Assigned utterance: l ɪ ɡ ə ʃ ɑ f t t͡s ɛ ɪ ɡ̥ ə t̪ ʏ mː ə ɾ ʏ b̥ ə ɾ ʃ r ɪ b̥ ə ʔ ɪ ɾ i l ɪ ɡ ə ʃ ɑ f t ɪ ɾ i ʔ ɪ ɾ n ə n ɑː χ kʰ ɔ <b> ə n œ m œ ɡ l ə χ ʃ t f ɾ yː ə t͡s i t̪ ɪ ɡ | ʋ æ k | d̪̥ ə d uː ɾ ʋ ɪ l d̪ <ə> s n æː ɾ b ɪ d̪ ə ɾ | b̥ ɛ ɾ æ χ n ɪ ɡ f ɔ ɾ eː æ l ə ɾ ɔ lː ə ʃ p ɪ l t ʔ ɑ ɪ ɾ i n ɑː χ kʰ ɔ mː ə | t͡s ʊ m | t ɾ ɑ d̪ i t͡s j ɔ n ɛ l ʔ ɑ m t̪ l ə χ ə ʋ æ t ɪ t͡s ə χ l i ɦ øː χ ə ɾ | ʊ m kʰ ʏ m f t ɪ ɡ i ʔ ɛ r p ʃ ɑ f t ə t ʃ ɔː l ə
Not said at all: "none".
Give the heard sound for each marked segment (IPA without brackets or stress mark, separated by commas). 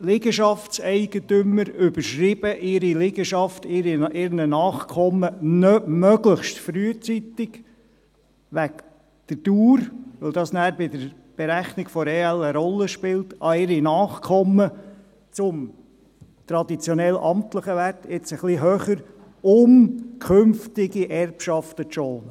m, ɑ